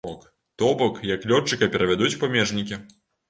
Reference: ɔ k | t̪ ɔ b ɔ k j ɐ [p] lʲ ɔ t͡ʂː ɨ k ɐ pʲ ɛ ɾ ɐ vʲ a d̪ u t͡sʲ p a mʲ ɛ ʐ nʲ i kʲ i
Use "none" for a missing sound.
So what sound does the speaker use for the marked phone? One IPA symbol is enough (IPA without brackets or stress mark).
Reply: k